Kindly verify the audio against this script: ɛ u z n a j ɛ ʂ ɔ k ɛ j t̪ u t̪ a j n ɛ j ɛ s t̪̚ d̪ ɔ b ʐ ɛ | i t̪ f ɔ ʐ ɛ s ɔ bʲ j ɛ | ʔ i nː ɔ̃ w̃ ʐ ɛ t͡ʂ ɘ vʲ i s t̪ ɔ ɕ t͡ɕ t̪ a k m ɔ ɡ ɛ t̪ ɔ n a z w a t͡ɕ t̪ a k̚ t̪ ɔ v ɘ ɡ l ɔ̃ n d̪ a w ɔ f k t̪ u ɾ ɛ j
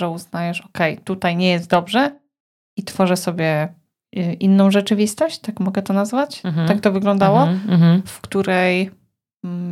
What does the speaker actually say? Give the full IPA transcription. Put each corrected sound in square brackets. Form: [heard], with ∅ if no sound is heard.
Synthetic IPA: ɛ u z n a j ɛ ʂ ɔ k ɛ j t̪ u t̪ a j [ɲ] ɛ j ɛ s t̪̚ d̪ ɔ b ʐ ɛ | i t̪ f ɔ ʐ ɛ s ɔ bʲ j ɛ | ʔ i nː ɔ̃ w̃ ʐ ɛ t͡ʂ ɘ vʲ i s t̪ ɔ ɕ t͡ɕ t̪ a k m ɔ ɡ ɛ t̪ ɔ n a z [v] a t͡ɕ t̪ a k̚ t̪ ɔ v ɘ ɡ l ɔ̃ n d̪ a w ɔ f k t̪ u ɾ ɛ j